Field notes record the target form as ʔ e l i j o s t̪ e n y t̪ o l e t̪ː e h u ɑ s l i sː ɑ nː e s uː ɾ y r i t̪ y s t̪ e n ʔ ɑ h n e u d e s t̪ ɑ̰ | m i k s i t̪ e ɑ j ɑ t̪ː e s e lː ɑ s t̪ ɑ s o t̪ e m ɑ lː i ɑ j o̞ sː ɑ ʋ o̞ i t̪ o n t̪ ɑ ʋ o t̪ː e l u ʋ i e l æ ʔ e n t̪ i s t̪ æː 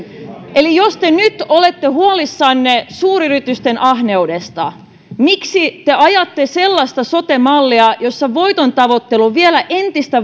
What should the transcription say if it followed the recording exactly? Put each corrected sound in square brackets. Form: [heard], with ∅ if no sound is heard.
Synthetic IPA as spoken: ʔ e l i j o s t̪ e n y t̪ o l e t̪ː e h u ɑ [∅] l i sː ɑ nː e s uː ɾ y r i t̪ y s t̪ e n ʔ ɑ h n e u d e s t̪ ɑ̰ | m i k s i t̪ e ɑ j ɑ t̪ː e s e lː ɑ s t̪ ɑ s o t̪ e m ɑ lː i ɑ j o̞ sː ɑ ʋ o̞ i t̪ o n t̪ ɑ ʋ o t̪ː e l u ʋ i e l æ ʔ e n t̪ i s t̪ [æ]